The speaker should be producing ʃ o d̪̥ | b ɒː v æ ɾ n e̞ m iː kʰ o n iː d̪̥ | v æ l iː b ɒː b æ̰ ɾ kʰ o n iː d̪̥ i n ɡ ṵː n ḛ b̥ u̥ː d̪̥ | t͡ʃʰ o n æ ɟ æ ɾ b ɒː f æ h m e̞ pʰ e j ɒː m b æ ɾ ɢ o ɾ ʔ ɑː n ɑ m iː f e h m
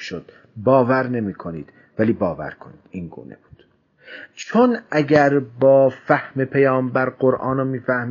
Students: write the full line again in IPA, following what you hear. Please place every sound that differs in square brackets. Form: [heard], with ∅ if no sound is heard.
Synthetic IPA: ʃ o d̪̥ | b ɒː v æ ɾ n e̞ m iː kʰ o n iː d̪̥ | v æ l iː b ɒː [v] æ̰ ɾ kʰ o n iː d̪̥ i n ɡ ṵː n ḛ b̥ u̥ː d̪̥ | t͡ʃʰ o n æ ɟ æ ɾ b ɒː f æ h m e̞ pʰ e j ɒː m b æ ɾ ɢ o ɾ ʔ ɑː n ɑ m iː f [æ] h m